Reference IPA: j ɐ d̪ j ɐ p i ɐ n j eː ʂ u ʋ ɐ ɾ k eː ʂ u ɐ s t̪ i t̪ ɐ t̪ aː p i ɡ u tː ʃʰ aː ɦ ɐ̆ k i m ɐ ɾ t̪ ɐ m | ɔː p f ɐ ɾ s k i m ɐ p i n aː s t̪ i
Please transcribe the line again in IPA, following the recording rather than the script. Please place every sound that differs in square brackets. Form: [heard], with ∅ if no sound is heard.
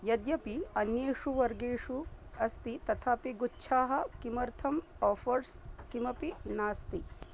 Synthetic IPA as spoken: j ɐ d̪ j ɐ p i ɐ n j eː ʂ u ʋ ɐ ɾ [ɡ] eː ʂ u ɐ s t̪ i t̪ ɐ [t̪ʰ] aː p i ɡ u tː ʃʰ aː ɦ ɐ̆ k i m ɐ ɾ [t̪ʰ] ɐ m | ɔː [∅] f ɐ ɾ s k i m ɐ p i n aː s t̪ i